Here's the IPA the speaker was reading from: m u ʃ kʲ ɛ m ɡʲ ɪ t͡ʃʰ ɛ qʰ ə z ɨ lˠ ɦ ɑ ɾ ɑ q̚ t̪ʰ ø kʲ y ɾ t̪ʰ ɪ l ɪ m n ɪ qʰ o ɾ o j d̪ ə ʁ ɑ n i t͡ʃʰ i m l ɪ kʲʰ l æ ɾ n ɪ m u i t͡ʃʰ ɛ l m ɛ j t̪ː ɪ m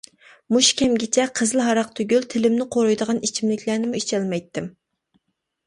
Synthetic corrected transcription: m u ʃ kʲ ɛ m ɡʲ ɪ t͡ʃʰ ɛ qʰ ə z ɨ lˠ ɦ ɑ ɾ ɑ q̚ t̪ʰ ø ɡʲ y l t̪ʰ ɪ l ɪ m n ɪ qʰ o ɾ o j d̪ ə ʁ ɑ n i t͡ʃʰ i m l ɪ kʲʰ l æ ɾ n ɪ m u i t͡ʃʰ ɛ l m ɛ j t̪ː ɪ m